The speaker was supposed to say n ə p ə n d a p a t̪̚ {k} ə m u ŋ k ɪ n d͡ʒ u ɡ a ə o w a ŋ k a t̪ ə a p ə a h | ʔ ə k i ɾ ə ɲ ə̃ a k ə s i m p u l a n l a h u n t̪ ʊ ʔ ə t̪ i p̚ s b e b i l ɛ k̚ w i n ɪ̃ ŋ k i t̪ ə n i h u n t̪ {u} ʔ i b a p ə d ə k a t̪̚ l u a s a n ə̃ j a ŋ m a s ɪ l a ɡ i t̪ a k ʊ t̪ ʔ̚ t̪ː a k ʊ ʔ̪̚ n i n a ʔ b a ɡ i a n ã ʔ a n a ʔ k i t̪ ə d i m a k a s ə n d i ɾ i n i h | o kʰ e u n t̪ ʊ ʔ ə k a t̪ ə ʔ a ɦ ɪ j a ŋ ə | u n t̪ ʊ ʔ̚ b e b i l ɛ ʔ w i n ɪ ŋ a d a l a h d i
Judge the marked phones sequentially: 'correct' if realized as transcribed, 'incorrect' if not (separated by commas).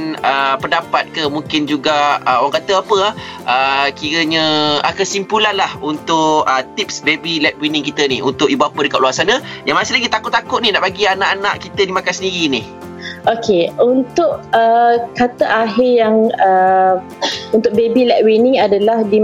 correct, incorrect